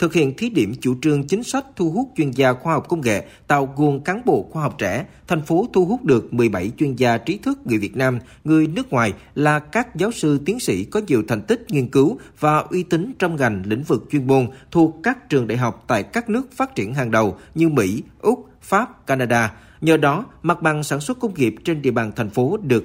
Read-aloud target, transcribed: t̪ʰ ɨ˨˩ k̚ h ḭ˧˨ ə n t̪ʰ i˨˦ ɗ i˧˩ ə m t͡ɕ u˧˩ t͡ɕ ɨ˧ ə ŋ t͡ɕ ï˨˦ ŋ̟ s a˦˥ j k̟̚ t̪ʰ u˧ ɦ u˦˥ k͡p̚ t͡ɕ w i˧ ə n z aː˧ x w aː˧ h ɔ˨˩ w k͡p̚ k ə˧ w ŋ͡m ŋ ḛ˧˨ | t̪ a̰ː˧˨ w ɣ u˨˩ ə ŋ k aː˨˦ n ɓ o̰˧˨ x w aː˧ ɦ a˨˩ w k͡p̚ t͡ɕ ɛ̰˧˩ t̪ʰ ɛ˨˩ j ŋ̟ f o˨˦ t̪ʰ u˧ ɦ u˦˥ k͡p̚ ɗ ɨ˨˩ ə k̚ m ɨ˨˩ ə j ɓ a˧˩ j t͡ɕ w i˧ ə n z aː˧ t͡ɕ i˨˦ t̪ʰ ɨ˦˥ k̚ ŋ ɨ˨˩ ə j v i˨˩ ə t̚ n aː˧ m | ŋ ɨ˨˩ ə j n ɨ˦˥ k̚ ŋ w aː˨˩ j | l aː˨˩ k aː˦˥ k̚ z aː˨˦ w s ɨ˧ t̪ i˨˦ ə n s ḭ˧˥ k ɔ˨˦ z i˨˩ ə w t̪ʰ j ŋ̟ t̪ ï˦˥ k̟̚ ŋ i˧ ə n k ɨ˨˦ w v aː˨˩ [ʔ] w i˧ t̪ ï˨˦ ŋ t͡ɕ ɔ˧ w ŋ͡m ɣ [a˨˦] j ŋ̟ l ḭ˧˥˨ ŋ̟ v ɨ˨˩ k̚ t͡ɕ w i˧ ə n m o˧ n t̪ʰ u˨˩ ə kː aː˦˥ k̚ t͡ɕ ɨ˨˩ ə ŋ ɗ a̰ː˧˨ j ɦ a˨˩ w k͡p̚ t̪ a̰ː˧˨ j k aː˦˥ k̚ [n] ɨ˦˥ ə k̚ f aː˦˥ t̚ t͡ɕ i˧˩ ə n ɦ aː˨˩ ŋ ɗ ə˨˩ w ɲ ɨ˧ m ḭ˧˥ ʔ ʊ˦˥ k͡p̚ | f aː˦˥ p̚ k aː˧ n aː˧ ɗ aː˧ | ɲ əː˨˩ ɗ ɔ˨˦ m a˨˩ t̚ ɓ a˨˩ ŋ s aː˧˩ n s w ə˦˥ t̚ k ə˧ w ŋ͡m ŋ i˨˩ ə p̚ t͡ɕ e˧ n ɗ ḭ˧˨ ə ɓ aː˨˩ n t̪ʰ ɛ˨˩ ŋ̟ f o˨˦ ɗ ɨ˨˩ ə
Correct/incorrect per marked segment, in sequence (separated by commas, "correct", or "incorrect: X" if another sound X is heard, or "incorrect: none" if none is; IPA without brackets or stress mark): correct, incorrect: a˨˩, correct